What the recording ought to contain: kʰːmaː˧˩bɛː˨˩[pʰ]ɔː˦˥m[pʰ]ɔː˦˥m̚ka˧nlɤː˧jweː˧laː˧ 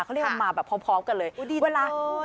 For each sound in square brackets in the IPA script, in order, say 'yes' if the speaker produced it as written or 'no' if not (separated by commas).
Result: yes, yes